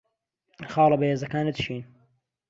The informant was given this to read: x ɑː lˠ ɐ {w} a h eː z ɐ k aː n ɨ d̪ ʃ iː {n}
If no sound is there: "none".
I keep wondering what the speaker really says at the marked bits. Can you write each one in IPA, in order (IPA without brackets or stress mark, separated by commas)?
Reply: b, n